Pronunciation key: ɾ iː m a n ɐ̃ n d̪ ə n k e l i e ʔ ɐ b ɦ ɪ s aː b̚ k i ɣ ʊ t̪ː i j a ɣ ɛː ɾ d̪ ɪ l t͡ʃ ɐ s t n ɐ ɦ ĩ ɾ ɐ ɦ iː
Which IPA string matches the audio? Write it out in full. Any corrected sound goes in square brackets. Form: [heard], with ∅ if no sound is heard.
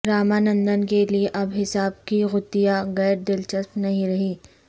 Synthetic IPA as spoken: ɾ [aː] m a n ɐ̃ n d̪ ə n k e l i e ʔ ɐ b ɦ ɪ s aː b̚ k i ɣ ʊ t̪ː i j a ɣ ɛː ɾ d̪ ɪ l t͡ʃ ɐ s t n ɐ ɦ ĩ ɾ ɐ ɦ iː